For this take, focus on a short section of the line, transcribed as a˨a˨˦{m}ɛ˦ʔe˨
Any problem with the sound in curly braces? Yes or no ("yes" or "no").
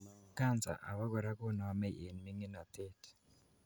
no